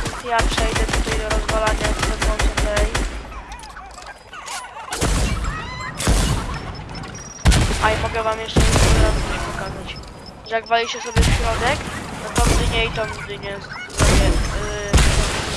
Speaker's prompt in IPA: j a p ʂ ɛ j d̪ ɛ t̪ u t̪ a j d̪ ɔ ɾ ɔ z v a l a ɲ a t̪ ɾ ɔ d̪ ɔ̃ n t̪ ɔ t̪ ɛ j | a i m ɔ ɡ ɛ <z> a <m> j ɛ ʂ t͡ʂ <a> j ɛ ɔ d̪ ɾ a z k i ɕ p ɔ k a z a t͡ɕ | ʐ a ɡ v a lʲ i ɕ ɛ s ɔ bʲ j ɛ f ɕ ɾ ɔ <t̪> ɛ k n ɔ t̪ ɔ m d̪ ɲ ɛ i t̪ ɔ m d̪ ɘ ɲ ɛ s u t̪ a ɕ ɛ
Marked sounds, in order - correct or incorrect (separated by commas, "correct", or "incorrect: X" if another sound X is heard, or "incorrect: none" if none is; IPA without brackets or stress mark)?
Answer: incorrect: v, correct, incorrect: ɛ, incorrect: d̪